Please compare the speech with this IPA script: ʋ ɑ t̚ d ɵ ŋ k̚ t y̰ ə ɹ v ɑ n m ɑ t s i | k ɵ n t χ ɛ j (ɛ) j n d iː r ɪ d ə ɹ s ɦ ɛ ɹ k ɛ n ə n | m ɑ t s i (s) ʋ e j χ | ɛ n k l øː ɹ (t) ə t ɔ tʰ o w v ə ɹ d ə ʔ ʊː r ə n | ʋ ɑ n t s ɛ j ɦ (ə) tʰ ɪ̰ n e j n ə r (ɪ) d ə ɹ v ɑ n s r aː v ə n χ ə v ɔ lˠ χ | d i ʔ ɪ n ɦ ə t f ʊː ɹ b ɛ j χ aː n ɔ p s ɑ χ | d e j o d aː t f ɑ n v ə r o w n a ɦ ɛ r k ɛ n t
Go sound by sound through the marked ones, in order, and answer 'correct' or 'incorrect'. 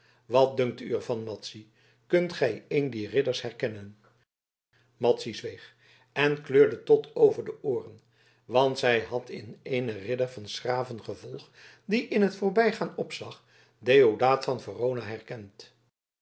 incorrect, incorrect, incorrect, incorrect, correct

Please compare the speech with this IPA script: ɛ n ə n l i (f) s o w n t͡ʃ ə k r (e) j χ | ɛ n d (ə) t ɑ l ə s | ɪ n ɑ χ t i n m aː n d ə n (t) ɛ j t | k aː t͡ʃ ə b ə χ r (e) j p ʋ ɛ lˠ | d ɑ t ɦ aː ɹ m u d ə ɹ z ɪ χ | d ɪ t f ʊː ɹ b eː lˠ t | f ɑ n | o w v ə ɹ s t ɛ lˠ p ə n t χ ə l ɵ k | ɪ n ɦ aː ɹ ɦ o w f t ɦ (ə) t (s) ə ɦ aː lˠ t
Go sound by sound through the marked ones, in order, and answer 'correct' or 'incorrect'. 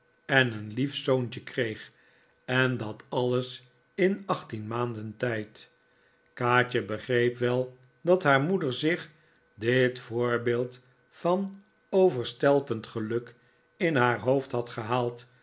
correct, correct, incorrect, correct, correct, incorrect, incorrect

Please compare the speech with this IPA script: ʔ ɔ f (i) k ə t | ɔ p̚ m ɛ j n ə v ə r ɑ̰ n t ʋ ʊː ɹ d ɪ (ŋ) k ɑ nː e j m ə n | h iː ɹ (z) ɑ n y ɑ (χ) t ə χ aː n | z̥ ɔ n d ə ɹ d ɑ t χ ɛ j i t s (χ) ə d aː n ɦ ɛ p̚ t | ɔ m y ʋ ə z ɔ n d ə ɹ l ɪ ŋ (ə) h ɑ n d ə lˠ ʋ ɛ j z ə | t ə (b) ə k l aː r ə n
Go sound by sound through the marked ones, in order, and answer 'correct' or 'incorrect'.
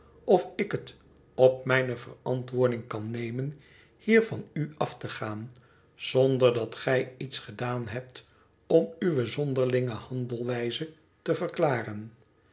incorrect, correct, incorrect, incorrect, correct, correct, incorrect

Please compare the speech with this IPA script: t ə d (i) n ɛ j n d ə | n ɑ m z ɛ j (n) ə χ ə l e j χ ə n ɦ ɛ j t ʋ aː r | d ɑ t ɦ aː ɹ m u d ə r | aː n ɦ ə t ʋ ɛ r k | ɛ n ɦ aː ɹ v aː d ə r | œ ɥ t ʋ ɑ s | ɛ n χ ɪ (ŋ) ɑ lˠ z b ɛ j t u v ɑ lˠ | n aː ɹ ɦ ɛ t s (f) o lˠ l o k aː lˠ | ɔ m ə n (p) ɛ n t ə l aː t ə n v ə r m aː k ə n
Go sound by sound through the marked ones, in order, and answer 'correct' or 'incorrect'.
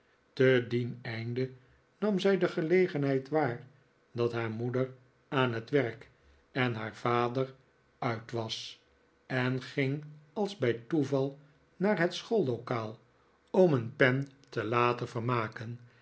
correct, incorrect, correct, incorrect, correct

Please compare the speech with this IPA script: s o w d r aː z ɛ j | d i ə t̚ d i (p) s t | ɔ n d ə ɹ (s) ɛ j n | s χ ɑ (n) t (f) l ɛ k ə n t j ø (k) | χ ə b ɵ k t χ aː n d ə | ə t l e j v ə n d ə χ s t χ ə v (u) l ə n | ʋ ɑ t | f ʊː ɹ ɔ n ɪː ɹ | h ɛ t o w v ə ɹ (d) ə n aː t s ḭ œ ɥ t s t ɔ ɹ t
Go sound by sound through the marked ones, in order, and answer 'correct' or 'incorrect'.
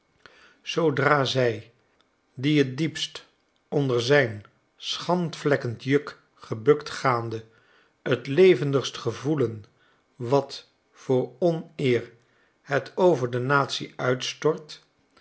correct, incorrect, correct, correct, correct, correct, correct

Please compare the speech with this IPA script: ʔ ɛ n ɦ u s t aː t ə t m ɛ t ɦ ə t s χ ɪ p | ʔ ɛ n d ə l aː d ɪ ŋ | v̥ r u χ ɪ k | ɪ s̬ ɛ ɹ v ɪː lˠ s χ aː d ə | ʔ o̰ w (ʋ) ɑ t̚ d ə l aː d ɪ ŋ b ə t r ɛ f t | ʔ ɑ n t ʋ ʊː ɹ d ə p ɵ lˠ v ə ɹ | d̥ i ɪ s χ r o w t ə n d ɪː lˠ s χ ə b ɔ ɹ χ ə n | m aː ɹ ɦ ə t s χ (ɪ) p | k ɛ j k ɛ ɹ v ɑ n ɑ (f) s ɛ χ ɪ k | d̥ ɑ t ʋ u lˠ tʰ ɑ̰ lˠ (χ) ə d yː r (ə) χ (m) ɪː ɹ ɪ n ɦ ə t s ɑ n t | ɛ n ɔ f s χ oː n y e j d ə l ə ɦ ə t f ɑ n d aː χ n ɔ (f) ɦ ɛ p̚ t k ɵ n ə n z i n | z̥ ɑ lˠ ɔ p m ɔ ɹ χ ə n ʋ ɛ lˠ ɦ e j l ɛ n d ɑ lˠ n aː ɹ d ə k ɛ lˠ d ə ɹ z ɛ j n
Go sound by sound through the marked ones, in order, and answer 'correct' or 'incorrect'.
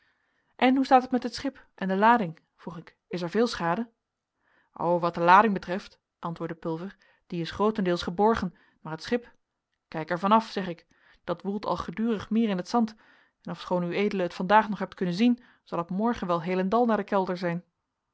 correct, correct, correct, correct, correct, correct, incorrect

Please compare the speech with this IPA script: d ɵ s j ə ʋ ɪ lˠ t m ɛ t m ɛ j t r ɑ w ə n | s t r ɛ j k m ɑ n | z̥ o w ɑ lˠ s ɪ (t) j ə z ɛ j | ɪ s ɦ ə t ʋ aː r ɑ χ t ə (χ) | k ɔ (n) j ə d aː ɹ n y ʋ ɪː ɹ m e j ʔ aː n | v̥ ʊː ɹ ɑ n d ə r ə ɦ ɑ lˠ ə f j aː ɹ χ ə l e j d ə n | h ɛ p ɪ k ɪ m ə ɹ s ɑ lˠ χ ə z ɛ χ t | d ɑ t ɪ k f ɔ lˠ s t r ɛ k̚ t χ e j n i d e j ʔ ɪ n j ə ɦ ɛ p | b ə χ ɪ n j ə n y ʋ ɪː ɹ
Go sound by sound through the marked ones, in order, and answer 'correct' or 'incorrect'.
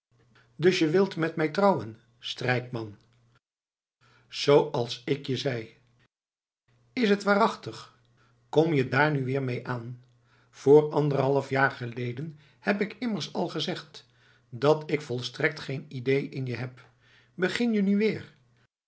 incorrect, correct, incorrect

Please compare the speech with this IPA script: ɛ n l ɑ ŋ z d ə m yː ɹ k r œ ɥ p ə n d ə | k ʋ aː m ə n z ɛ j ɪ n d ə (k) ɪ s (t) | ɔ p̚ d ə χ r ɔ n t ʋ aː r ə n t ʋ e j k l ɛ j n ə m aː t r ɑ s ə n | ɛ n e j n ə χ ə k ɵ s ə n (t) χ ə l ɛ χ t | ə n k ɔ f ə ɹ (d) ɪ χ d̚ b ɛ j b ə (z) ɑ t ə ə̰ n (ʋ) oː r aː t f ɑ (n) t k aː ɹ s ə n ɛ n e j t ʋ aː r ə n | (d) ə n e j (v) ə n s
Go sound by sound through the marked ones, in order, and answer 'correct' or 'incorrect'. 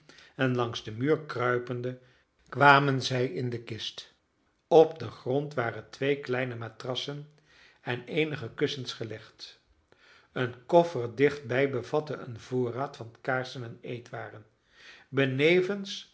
correct, correct, incorrect, correct, incorrect, incorrect, correct, incorrect, correct

